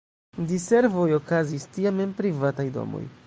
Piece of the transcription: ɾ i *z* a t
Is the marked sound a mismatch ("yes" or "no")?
yes